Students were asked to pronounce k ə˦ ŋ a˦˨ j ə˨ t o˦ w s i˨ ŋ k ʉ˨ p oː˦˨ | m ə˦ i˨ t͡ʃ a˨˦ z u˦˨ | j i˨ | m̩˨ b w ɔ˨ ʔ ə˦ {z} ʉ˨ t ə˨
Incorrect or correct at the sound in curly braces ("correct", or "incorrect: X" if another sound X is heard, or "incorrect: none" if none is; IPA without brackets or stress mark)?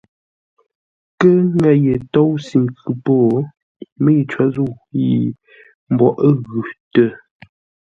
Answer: incorrect: ɣ